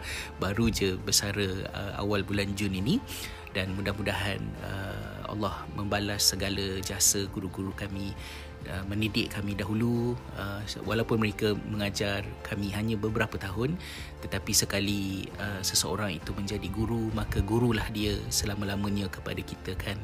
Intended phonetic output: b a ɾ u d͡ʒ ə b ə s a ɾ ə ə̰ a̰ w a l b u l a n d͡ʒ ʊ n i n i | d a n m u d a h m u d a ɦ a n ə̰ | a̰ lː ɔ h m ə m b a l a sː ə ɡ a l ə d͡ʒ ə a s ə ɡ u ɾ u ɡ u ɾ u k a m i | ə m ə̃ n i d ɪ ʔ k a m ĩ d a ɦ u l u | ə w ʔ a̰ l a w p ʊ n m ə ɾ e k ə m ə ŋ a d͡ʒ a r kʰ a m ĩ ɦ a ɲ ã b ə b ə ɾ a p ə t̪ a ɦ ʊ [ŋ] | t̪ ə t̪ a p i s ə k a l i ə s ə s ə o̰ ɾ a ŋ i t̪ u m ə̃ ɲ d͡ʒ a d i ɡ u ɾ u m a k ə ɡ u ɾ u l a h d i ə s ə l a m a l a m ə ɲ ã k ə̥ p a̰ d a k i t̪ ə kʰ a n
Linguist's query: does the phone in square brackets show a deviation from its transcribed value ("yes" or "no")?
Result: yes